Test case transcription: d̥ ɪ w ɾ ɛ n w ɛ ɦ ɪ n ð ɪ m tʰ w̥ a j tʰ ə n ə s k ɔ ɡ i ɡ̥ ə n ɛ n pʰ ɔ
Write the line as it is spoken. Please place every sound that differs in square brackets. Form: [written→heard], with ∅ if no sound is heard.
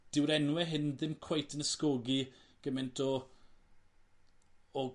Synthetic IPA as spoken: d̥ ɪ w ɾ ɛ n w ɛ ɦ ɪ n ð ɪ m [tʰ→kʰ] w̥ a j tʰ ə n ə s k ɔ ɡ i ɡ̥ ə [n→m] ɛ n [pʰ→tʰ] ɔ